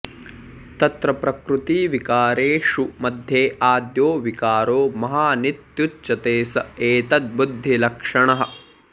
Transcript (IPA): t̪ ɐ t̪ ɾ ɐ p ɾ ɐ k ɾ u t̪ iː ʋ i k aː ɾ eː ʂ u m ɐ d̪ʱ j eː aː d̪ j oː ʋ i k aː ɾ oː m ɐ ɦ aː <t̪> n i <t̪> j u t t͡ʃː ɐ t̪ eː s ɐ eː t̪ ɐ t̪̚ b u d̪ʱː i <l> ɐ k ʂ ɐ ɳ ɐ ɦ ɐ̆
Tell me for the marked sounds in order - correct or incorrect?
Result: incorrect, correct, correct

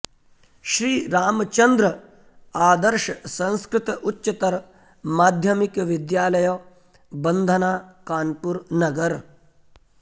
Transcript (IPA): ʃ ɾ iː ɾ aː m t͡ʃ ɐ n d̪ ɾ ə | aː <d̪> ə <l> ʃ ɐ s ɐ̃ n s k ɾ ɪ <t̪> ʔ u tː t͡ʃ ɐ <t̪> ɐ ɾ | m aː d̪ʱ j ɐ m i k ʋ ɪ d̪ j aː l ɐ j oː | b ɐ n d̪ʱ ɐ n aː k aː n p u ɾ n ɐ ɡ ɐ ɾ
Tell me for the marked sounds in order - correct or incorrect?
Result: correct, incorrect, correct, correct

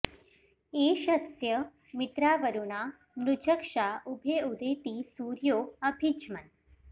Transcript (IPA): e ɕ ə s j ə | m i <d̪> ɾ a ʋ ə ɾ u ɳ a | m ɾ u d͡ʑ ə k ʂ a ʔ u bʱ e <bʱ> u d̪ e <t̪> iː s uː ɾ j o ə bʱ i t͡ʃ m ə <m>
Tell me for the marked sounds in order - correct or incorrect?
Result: incorrect, incorrect, correct, incorrect

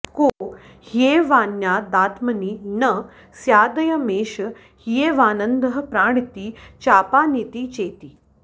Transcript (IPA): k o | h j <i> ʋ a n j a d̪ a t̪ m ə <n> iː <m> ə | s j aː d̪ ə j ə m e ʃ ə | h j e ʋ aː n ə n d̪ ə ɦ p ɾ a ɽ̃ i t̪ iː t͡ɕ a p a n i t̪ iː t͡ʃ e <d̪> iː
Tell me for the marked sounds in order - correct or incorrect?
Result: incorrect, correct, incorrect, incorrect

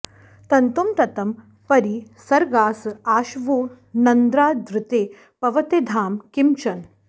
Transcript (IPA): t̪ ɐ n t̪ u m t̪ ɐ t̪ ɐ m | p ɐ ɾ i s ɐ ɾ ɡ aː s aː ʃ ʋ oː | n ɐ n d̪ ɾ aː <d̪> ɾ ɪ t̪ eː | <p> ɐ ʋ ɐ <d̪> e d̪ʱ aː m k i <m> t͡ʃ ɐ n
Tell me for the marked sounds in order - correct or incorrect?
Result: correct, correct, incorrect, correct

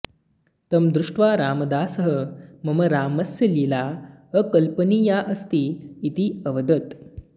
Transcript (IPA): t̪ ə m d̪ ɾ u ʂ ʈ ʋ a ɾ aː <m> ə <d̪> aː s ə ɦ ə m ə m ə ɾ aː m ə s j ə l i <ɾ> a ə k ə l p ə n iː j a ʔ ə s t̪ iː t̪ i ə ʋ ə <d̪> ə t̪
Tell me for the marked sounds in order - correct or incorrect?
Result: correct, correct, incorrect, correct

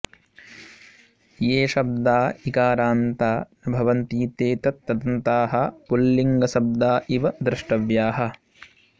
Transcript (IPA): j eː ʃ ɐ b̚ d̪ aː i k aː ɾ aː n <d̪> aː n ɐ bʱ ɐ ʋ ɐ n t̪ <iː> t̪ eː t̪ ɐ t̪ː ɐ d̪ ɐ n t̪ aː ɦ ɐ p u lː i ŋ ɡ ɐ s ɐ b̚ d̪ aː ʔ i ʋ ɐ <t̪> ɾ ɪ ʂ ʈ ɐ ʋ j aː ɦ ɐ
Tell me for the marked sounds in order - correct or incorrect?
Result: incorrect, correct, incorrect

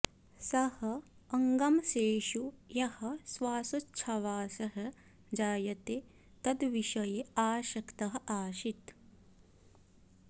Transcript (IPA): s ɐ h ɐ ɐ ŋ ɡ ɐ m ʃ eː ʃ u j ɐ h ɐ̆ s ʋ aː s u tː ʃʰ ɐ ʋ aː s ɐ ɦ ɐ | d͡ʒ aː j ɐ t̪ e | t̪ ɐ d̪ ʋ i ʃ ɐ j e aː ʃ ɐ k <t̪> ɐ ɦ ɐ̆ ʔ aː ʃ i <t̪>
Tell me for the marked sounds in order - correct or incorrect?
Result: correct, correct

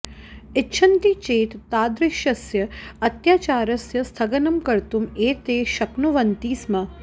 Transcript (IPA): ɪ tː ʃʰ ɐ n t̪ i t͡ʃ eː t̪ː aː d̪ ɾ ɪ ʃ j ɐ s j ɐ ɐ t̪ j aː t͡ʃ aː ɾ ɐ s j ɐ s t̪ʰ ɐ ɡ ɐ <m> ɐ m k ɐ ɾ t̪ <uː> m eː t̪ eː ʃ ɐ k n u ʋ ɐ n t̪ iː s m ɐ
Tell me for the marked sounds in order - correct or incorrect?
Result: incorrect, incorrect

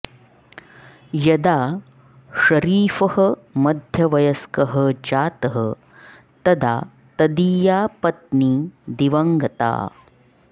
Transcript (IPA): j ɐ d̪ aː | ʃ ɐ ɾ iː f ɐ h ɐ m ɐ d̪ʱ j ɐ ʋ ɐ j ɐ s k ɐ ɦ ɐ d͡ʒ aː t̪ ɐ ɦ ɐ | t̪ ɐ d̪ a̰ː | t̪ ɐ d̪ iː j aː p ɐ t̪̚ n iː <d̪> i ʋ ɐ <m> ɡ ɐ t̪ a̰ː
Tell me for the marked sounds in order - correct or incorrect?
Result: correct, incorrect

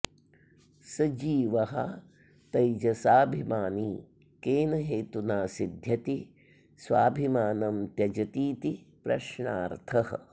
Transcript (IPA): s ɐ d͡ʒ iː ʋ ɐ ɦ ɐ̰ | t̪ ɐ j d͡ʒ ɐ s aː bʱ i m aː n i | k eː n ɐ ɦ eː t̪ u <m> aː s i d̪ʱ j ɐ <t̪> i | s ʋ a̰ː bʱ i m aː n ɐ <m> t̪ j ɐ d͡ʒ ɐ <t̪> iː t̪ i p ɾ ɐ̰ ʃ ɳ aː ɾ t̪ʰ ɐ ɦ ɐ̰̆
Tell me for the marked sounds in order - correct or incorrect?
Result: incorrect, correct, correct, correct

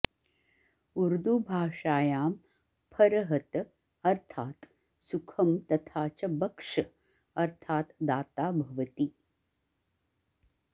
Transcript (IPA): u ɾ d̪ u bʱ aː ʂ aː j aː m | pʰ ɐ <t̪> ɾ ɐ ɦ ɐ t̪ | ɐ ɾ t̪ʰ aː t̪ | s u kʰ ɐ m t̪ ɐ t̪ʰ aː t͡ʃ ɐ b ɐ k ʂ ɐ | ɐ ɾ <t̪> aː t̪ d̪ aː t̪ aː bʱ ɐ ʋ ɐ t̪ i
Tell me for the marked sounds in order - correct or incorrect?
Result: incorrect, incorrect

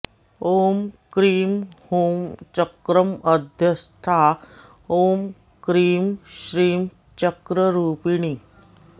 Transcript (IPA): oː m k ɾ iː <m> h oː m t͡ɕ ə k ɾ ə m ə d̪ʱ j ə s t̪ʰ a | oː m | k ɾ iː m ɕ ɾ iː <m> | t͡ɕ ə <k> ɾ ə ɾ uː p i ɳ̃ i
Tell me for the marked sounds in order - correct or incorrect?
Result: correct, correct, correct

